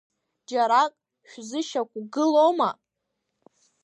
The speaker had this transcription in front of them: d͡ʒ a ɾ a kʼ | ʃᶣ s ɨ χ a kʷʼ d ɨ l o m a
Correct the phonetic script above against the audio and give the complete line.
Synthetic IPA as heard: d͡ʒ a ɾ a kʼ | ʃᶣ z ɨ ʃ a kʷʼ ɡ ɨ l o m a